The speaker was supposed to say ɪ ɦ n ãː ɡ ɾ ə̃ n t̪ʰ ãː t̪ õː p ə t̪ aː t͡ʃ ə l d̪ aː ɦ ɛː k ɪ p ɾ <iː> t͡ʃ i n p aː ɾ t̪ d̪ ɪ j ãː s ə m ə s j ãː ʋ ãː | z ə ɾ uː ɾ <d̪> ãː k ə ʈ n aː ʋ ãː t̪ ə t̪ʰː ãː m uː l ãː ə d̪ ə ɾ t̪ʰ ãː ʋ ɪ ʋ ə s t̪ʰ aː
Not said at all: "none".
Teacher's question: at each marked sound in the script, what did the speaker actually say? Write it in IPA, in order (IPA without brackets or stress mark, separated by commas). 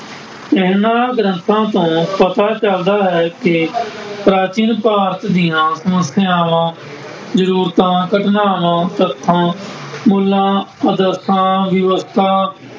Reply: aː, t̪